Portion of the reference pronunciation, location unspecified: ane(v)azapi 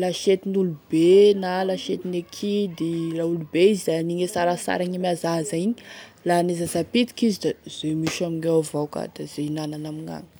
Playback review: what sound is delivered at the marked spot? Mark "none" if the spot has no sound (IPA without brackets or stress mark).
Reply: z